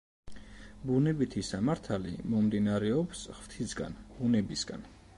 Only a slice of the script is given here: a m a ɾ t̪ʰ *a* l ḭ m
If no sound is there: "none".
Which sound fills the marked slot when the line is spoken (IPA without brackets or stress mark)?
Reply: a